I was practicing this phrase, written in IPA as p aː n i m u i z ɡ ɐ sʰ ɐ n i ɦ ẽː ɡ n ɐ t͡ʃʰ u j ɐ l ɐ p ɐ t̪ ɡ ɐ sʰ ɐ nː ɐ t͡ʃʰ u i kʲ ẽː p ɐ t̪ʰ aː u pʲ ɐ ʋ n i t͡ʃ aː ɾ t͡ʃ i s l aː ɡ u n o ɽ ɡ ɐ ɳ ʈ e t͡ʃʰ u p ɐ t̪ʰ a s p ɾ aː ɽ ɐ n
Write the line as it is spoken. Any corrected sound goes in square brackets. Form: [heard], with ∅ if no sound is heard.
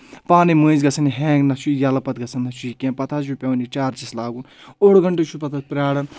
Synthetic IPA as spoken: p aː n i m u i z ɡ ɐ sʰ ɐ n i ɦ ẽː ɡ n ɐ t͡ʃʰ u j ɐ l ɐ p ɐ t̪ ɡ ɐ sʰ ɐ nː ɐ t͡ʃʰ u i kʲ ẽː p ɐ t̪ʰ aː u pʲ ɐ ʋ n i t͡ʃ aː ɾ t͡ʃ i s l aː ɡ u n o ɽ ɡ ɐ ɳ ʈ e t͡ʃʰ u p ɐ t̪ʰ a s p ɾ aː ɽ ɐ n